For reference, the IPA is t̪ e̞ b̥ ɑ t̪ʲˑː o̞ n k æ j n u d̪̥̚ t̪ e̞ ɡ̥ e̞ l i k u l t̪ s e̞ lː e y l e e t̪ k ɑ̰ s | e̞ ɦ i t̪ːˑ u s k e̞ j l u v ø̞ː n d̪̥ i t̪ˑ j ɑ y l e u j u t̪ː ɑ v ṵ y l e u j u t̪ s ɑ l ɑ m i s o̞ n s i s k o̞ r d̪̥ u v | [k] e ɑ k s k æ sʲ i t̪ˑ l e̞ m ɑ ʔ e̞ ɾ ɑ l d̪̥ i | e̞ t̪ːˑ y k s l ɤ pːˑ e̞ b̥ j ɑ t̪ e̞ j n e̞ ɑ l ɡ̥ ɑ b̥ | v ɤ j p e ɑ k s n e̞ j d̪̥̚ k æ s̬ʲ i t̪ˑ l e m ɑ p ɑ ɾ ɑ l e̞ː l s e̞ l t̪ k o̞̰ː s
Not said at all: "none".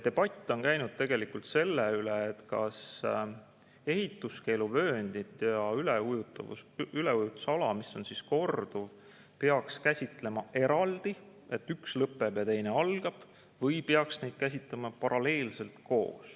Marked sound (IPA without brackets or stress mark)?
p